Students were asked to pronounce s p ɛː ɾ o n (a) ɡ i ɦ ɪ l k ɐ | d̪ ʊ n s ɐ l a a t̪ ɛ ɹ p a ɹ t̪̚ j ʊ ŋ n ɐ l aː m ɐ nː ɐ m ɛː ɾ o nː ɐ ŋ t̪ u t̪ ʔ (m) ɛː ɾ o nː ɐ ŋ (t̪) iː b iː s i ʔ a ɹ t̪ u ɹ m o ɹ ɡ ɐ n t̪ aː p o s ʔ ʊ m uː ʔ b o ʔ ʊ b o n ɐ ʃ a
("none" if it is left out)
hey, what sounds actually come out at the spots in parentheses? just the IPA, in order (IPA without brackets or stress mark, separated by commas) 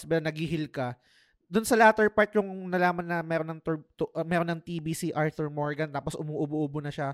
ɐ, m, t̪